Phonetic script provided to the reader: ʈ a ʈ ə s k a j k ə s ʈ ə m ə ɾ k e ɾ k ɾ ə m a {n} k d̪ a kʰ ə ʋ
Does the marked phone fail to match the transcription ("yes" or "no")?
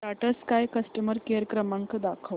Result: yes